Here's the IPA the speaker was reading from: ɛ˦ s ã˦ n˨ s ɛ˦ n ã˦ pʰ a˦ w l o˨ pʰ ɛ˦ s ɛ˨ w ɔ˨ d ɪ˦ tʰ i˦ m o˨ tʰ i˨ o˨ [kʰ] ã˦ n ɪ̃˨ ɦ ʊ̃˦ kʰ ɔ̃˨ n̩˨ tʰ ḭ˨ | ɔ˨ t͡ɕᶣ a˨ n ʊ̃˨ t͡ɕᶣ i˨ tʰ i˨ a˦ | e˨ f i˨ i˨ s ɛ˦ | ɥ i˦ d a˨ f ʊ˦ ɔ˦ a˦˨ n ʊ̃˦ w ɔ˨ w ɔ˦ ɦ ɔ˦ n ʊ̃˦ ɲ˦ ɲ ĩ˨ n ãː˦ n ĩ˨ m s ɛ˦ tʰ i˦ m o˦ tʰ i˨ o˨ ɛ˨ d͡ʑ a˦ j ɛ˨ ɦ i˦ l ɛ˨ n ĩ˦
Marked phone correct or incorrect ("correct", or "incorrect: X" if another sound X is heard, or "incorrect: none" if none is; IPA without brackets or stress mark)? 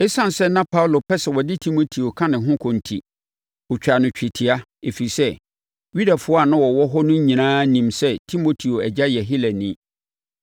correct